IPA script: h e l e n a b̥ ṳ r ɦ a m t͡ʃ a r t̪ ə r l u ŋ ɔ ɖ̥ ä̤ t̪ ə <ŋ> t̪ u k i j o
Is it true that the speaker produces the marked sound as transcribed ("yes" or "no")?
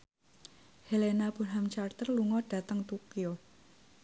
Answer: yes